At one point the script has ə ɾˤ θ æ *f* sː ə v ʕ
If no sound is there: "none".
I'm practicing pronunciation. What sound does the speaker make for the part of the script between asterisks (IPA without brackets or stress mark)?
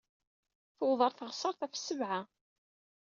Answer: f